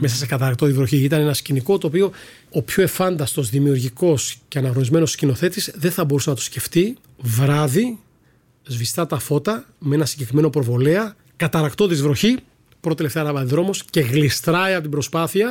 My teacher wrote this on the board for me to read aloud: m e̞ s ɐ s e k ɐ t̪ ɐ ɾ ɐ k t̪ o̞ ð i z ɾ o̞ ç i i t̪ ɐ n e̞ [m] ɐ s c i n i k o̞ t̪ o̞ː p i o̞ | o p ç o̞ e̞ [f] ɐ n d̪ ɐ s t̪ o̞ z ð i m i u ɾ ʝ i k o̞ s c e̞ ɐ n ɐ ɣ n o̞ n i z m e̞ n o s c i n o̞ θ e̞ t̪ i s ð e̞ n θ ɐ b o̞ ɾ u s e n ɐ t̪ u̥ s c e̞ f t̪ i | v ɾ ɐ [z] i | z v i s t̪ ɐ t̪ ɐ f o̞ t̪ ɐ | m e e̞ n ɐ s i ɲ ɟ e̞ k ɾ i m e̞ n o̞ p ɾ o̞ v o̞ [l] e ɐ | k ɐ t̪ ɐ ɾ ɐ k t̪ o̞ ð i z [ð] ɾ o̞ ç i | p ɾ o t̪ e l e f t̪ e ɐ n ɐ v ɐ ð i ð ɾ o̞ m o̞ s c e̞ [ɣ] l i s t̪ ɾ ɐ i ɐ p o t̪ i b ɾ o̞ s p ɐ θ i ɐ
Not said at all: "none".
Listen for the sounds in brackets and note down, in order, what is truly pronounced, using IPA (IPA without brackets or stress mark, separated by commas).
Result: n, f, ð, l, v, ɣ